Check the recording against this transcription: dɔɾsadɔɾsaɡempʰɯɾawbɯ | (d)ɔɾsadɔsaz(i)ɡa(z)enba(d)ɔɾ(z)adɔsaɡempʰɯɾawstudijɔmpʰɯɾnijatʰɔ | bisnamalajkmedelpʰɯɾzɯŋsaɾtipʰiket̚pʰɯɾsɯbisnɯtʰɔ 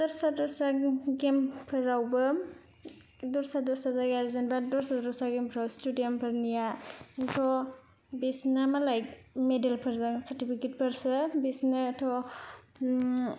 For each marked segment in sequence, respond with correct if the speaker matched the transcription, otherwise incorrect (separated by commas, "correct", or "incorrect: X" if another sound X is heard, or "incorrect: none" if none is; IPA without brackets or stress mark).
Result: correct, incorrect: a, correct, correct, incorrect: s